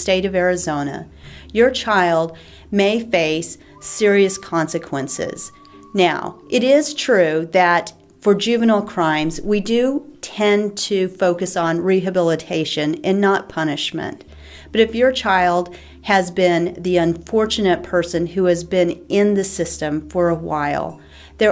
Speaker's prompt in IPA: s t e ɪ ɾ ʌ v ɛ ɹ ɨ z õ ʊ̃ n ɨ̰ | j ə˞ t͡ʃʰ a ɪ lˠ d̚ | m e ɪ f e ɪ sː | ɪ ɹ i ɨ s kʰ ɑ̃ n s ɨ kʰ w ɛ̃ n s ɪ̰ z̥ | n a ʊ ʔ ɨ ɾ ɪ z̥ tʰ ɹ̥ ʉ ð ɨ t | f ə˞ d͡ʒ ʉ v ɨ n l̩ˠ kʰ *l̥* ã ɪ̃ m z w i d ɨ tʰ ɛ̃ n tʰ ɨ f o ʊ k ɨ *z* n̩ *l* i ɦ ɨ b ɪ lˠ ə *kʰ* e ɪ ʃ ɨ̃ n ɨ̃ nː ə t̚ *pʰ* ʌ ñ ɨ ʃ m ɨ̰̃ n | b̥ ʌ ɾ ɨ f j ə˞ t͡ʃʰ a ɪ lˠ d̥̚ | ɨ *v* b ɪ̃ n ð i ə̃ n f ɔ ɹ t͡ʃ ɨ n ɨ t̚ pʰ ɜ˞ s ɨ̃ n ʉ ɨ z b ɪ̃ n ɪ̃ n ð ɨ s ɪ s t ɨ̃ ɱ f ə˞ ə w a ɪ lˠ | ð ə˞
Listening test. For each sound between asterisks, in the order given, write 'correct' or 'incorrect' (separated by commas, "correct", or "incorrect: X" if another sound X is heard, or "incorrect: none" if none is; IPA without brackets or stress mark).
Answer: incorrect: ɹ̥, incorrect: s, incorrect: ɹ, incorrect: tʰ, correct, incorrect: z